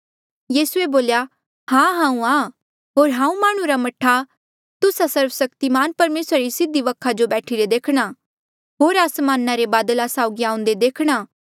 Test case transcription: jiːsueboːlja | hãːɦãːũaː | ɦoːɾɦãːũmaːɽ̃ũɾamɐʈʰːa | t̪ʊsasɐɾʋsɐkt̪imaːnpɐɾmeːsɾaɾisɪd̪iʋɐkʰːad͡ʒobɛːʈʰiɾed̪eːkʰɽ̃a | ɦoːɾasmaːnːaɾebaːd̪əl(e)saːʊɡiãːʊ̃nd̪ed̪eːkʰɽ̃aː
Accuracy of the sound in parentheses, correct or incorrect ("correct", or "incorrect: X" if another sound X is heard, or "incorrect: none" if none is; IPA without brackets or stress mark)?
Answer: incorrect: a